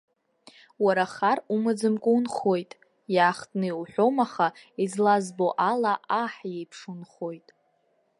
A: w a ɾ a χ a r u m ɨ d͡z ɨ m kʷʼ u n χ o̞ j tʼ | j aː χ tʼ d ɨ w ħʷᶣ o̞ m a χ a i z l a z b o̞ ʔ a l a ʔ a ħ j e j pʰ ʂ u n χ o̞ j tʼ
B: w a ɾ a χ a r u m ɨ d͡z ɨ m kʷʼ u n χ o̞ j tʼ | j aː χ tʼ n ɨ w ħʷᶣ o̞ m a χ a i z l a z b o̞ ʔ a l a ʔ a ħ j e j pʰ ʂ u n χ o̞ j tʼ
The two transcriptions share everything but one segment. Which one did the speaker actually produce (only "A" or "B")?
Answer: B